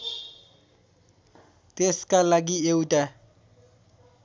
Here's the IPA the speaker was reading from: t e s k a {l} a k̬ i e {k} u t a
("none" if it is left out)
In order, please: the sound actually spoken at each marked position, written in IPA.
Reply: l, none

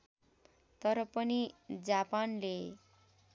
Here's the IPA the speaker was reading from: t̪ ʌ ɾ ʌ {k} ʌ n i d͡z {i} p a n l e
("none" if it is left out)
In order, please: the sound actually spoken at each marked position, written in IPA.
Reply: p, a

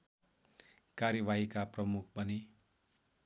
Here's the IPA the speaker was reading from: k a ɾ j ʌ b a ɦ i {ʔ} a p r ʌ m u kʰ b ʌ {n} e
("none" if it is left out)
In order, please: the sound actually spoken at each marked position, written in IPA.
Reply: k, n

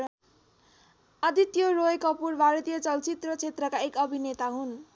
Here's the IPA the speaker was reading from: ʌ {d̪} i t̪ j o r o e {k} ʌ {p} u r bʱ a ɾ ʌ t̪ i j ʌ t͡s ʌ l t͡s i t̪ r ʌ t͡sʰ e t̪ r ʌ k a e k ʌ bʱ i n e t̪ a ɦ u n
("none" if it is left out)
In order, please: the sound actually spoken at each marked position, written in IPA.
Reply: d̪, k, p

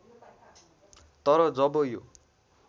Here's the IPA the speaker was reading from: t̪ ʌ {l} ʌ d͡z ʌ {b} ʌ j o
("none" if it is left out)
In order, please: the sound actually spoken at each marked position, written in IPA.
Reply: ɾ, b

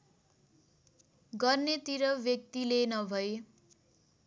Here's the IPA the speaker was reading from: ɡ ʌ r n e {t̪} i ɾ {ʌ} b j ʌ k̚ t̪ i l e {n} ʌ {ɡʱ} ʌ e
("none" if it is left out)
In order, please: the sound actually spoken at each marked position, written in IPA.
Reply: t̪, ʌ, n, bʱ

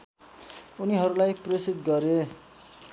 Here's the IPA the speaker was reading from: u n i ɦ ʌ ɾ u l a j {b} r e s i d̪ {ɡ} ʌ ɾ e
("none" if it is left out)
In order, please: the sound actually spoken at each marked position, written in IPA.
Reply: p, ɡ

